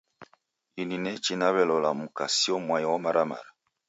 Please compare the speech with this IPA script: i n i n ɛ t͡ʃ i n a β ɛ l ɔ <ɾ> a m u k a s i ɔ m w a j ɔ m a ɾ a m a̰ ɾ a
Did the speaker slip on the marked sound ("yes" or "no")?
yes